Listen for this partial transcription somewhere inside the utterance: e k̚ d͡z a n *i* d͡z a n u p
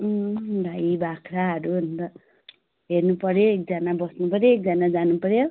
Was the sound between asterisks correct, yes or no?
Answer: no